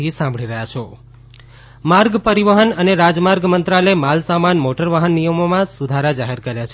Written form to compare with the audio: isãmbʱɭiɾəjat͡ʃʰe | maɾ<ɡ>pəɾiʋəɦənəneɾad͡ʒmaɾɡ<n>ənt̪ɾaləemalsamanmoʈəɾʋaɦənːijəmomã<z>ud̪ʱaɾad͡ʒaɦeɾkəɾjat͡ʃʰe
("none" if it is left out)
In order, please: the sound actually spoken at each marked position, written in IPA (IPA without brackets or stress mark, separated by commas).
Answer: ɡ, m, s